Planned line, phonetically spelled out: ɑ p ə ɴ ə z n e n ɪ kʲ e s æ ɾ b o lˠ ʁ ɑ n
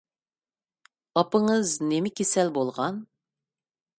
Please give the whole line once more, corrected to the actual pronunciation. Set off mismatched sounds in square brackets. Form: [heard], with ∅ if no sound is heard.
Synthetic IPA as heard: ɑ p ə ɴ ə z n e [m] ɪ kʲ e s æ [l] b o lˠ ʁ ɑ n